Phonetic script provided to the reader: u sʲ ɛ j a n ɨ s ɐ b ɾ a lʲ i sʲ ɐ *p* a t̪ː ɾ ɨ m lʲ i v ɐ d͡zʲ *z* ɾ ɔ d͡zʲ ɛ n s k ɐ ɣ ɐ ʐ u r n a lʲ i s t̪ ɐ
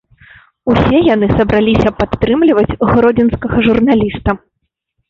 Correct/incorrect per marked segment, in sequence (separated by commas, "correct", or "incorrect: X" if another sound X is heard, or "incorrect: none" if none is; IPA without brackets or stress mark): correct, incorrect: ɣ